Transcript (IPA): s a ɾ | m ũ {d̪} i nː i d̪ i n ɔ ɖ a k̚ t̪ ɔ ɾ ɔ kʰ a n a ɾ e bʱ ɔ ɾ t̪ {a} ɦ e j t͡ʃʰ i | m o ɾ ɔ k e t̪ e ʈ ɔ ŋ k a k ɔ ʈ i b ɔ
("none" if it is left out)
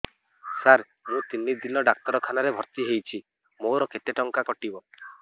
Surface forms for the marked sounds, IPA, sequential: t̪, i

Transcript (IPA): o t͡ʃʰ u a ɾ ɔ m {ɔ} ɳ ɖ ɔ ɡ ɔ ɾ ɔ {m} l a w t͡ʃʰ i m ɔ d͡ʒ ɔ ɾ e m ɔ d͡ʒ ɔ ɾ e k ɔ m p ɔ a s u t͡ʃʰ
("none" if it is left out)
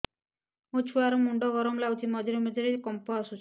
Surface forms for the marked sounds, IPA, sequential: u, m

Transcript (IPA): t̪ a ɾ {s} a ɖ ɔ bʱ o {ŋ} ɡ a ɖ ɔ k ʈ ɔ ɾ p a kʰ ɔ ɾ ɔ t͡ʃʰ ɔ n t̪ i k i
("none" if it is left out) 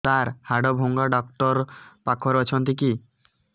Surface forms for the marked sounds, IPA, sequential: h, ŋ

